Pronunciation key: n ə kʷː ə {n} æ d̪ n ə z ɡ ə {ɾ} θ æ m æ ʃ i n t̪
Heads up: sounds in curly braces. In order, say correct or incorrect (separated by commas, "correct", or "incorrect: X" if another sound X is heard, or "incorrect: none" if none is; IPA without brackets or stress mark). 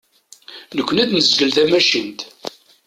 correct, incorrect: l